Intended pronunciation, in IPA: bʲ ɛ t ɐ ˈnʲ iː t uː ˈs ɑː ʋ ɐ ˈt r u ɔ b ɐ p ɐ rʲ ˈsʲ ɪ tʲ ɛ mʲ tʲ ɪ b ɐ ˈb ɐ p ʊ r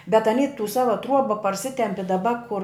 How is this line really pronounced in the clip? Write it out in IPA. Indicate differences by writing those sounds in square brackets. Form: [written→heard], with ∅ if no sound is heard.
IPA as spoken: bʲ ɛ t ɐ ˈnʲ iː t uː ˈs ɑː ʋ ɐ ˈt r u ɔ b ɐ p ɐ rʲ ˈsʲ ɪ tʲ ɛ mʲ [tʲ→pʲ] ɪ [b→d] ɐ ˈb ɐ [p→k] ʊ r